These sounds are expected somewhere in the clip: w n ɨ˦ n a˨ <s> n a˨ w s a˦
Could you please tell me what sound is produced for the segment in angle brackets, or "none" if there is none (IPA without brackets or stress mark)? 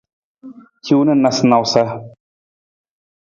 s